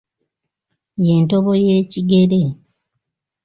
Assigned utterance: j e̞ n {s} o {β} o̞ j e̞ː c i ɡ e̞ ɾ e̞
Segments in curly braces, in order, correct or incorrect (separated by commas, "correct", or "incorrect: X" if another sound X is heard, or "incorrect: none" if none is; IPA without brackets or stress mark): incorrect: t, correct